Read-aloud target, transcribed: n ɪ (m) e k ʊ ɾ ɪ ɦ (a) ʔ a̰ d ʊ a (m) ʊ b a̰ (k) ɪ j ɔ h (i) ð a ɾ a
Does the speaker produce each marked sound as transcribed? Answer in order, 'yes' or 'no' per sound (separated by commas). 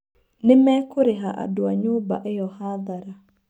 yes, yes, no, no, no